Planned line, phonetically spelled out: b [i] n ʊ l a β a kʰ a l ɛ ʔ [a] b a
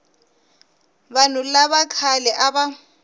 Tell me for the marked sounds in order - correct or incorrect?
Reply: incorrect, correct

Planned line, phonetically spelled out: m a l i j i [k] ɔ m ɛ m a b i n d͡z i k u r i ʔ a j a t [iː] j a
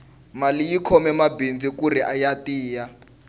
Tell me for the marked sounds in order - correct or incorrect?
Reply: incorrect, correct

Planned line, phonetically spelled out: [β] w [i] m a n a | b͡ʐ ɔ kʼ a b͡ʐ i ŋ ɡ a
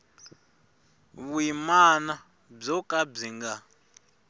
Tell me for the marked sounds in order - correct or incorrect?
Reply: correct, correct

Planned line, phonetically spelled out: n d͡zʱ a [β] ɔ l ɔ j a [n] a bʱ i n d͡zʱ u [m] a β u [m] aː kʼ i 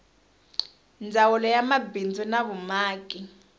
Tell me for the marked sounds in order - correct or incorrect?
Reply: incorrect, incorrect, incorrect, correct

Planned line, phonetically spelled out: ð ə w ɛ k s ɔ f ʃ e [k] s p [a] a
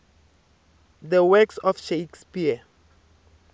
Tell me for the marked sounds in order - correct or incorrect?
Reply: correct, incorrect

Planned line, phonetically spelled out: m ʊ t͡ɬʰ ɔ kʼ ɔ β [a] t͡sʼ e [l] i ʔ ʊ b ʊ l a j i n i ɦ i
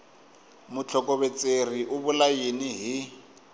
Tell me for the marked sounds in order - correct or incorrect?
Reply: incorrect, incorrect

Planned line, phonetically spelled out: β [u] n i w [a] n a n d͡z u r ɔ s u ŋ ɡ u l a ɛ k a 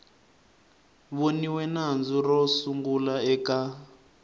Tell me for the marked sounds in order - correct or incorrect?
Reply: incorrect, incorrect

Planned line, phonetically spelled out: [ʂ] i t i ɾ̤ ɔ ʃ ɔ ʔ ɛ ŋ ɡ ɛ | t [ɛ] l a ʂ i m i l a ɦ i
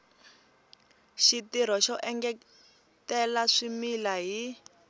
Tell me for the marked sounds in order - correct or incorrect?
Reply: incorrect, correct

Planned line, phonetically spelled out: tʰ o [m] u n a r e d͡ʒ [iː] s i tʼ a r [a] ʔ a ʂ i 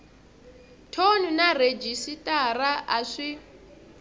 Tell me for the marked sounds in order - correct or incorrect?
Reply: incorrect, incorrect, correct

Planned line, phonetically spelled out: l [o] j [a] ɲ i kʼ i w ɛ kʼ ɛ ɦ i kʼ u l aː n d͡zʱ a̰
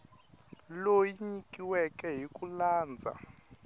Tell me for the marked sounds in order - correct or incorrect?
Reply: correct, incorrect

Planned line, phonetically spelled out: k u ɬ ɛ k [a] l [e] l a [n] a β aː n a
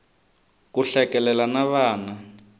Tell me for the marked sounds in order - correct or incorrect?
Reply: incorrect, incorrect, correct

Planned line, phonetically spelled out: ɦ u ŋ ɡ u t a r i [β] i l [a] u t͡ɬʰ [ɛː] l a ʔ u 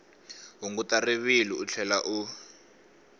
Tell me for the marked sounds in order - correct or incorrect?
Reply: correct, incorrect, incorrect

